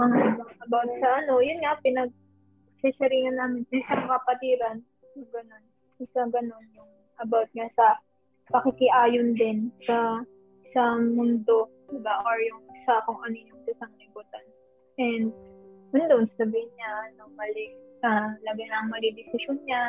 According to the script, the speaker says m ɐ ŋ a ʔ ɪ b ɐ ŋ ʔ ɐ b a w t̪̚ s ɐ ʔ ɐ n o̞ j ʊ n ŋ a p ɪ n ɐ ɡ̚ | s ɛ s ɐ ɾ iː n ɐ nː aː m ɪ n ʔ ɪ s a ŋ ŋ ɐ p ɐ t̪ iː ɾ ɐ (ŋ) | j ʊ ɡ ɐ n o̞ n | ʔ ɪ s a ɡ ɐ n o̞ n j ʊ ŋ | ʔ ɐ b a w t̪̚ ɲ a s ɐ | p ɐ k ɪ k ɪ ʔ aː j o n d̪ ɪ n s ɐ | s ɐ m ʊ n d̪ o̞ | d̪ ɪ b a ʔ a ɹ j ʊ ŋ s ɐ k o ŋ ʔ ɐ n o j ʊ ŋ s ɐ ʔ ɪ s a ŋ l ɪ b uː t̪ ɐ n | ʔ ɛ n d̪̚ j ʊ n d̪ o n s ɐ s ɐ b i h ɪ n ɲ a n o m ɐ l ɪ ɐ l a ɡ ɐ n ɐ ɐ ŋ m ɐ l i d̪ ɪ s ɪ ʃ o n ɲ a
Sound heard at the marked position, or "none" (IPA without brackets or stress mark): n